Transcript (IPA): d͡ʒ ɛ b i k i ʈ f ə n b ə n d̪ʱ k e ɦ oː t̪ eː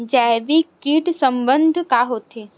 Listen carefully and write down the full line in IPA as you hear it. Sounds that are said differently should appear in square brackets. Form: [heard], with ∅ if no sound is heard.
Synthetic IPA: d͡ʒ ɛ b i k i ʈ [s] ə [m] b ə n d̪ʱ k [a] ɦ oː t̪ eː